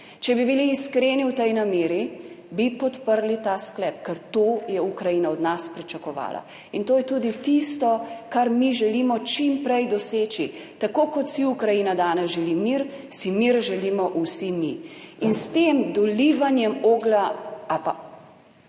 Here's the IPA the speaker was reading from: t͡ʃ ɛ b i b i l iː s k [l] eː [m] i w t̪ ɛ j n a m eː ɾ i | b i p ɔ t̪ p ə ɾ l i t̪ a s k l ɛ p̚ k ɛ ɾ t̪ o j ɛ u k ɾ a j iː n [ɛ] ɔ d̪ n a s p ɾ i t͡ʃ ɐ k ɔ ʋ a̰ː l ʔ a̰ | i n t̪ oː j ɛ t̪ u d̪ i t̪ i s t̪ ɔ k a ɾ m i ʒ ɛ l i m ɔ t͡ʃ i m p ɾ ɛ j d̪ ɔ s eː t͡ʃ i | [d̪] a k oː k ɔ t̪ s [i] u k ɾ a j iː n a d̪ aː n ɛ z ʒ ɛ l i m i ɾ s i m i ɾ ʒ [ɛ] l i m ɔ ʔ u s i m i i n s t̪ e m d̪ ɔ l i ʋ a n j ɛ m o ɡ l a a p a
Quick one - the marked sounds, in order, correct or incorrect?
incorrect, incorrect, incorrect, incorrect, correct, correct

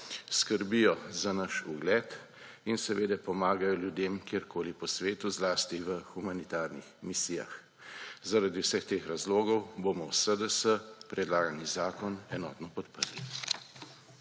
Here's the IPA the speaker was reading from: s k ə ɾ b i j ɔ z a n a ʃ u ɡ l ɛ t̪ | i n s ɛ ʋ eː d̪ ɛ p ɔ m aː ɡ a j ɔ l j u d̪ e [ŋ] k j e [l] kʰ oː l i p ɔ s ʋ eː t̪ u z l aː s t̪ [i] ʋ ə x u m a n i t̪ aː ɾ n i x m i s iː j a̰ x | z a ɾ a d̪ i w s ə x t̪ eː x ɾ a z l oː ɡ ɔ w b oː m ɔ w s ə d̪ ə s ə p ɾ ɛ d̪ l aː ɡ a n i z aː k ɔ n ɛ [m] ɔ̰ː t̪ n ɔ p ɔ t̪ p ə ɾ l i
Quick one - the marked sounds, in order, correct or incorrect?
incorrect, incorrect, correct, incorrect

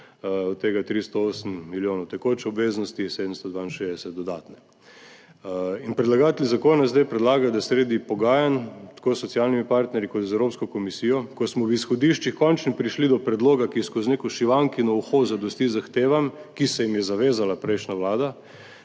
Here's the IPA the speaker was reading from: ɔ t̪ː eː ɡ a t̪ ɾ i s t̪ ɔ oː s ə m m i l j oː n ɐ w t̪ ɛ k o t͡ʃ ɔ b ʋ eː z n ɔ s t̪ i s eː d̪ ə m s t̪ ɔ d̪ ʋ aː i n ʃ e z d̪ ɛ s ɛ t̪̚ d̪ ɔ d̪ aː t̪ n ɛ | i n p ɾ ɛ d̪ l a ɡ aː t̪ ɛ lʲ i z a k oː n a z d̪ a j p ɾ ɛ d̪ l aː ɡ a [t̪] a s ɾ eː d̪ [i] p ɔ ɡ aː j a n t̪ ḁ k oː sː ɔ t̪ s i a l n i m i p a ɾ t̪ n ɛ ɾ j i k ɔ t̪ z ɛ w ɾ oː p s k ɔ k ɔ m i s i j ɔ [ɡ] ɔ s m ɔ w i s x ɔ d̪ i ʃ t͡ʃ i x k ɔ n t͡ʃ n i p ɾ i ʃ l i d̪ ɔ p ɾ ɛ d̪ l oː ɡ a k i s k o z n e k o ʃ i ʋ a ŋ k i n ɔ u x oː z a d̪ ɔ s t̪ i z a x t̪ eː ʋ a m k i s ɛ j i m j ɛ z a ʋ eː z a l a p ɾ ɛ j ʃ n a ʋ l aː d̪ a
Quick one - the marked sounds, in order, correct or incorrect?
incorrect, correct, incorrect

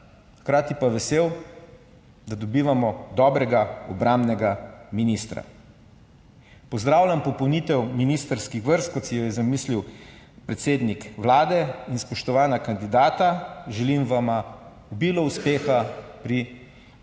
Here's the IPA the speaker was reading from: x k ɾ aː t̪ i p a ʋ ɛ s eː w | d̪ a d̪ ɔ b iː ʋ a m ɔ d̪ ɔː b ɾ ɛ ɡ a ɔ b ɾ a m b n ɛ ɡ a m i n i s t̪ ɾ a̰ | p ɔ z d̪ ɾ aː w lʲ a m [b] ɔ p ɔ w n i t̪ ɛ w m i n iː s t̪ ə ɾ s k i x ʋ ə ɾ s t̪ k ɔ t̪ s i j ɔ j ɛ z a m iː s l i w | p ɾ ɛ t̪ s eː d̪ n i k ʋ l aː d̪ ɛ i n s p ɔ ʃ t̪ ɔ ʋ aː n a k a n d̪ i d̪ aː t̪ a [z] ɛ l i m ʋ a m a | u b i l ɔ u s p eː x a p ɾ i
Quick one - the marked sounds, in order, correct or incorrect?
incorrect, incorrect

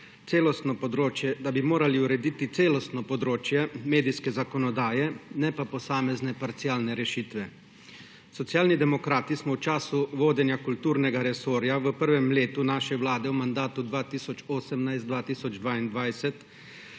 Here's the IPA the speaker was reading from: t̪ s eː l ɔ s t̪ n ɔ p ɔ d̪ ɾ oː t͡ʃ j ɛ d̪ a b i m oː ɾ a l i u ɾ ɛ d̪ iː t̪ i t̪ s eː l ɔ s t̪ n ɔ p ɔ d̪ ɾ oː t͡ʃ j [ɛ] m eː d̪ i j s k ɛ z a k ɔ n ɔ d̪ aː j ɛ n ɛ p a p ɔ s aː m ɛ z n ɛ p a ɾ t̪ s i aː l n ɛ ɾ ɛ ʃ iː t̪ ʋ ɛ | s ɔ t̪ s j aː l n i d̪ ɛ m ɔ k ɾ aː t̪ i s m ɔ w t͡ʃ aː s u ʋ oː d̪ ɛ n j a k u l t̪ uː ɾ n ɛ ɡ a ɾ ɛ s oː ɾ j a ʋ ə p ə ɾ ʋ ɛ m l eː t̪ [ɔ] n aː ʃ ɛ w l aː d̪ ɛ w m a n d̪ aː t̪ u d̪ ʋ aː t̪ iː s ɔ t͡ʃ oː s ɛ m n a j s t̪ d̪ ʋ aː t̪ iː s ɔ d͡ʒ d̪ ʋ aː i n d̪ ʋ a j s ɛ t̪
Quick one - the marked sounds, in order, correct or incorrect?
correct, incorrect

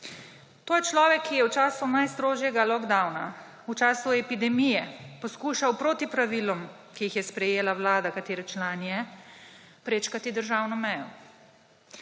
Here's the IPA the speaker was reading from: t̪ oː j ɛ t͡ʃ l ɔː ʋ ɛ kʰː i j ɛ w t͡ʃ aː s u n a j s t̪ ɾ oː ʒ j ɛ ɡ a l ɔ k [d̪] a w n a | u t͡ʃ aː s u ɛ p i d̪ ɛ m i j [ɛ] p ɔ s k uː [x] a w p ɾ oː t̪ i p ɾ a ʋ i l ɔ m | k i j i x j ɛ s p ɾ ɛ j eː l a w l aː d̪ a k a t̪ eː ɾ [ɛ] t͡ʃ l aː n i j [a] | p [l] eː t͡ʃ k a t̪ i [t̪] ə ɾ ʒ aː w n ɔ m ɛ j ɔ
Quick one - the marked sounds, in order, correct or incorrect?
correct, correct, incorrect, correct, incorrect, incorrect, incorrect

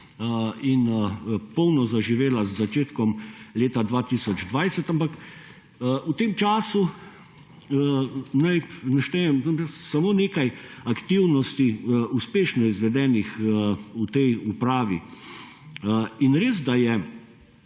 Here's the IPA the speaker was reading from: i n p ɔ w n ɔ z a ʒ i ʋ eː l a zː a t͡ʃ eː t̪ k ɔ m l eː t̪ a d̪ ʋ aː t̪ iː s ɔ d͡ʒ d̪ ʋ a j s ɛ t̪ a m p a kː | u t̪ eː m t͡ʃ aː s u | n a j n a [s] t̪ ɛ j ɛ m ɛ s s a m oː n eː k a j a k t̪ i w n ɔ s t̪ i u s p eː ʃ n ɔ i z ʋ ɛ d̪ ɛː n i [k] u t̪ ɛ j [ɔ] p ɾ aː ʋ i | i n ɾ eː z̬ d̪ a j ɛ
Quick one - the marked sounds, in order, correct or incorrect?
incorrect, incorrect, incorrect

